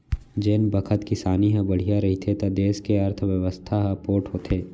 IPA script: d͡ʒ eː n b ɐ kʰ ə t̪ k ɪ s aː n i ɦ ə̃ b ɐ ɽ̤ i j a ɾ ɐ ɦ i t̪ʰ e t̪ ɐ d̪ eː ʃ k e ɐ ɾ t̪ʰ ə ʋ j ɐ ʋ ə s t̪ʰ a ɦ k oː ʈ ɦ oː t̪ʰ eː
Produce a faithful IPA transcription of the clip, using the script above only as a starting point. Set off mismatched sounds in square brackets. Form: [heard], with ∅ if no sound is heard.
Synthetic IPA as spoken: d͡ʒ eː n b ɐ kʰ ə t̪ k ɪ s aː n i ɦ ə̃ b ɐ ɽ̤ i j a ɾ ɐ ɦ i t̪ʰ e t̪ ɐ d̪ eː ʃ k e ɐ ɾ t̪ʰ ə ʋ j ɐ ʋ ə s t̪ʰ a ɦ [p] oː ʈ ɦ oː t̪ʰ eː